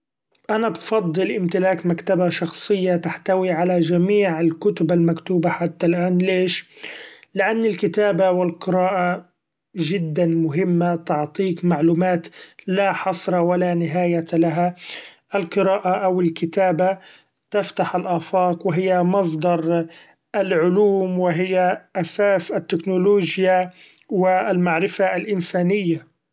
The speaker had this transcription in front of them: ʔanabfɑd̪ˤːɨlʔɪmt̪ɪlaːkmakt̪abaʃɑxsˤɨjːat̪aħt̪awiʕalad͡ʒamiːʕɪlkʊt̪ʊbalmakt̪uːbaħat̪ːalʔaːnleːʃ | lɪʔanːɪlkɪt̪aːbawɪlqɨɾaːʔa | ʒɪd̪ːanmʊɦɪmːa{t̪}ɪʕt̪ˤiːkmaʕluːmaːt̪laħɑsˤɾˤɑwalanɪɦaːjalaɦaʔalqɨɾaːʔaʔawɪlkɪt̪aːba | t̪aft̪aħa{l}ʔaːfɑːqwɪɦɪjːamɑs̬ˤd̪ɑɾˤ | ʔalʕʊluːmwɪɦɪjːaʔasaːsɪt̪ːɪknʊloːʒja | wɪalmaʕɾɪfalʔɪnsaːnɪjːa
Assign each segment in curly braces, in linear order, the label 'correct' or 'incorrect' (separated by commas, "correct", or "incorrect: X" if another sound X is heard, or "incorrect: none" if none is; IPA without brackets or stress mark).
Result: correct, correct